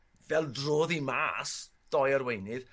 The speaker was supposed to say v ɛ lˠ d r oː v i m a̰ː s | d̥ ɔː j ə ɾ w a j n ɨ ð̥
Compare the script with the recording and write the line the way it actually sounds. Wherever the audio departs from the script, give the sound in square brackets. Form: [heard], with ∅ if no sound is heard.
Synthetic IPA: v ɛ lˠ d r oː [ð] i m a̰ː s | d̥ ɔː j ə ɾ w [e] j n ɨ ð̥